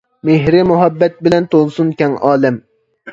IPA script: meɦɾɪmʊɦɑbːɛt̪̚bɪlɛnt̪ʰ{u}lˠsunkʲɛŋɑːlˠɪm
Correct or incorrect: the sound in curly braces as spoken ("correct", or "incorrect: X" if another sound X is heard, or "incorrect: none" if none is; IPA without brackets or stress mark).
incorrect: o